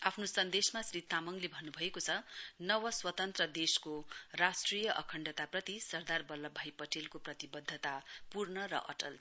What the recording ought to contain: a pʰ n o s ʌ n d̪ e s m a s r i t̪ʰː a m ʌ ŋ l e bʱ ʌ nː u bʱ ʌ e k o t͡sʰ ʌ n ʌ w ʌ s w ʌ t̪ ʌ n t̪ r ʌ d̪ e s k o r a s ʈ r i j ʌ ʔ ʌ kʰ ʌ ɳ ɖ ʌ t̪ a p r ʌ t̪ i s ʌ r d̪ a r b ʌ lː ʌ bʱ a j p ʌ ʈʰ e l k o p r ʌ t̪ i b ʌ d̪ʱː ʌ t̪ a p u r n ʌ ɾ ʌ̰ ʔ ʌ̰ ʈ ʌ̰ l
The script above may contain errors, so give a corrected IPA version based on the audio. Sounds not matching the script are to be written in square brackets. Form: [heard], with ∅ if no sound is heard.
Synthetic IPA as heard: a pʰ n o s ʌ n d̪ e s m a s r i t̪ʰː a m ʌ ŋ l e bʱ ʌ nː u bʱ ʌ e k o t͡sʰ ʌ n ʌ w ʌ s w ʌ t̪ ʌ n t̪ r ʌ d̪ e s k o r a s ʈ r i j ʌ ʔ ʌ kʰ ʌ ɳ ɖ ʌ t̪ a p r ʌ t̪ i s ʌ r d̪ a r b ʌ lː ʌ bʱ a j p ʌ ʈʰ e l k o p r ʌ t̪ i b ʌ d̪ʱː ʌ t̪ a p u r n ʌ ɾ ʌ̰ ʔ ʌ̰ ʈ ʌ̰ l